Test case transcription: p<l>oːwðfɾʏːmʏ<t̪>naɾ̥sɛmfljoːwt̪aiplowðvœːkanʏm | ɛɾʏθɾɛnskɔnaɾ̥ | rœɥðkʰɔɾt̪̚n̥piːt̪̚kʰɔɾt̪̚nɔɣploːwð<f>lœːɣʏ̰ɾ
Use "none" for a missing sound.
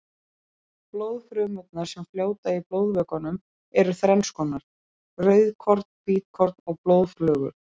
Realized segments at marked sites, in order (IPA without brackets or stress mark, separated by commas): l, t̪, f